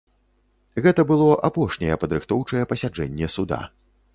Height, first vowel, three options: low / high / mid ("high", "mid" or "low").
mid